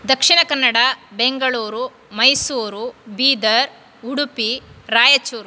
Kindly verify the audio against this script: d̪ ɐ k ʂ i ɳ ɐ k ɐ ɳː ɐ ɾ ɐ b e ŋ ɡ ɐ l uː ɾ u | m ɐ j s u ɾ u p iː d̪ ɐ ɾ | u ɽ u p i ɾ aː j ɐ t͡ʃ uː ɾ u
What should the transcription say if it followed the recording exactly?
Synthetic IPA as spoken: d̪ ɐ k ʂ i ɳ ɐ k ɐ nː ɐ ɽ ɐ b e ŋ ɡ ɐ ɭ uː ɾ u | m ɐ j s uː ɾ u b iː d̪ ɐ ɾ | u ɽ u p i ɾ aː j ɐ t͡ʃ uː ɾ u